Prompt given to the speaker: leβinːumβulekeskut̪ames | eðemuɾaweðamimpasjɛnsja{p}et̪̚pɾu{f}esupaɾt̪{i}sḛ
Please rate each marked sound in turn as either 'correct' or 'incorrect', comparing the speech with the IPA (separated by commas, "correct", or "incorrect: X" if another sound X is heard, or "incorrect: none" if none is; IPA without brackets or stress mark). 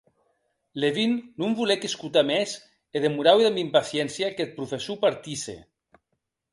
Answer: incorrect: k, correct, correct